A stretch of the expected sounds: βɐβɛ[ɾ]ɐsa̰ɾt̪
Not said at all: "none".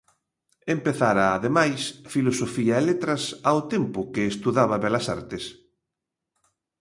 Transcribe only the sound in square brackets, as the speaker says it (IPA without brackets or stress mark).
l